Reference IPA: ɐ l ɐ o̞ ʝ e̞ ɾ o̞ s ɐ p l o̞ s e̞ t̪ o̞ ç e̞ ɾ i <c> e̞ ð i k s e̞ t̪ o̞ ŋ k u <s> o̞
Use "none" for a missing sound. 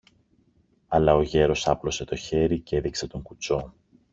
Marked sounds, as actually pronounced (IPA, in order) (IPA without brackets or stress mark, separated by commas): c, t͡s